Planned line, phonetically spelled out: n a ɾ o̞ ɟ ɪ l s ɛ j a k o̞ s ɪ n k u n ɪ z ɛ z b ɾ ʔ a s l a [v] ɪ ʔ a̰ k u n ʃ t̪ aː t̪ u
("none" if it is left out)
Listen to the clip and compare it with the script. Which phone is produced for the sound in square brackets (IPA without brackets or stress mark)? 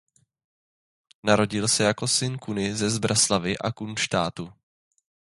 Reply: v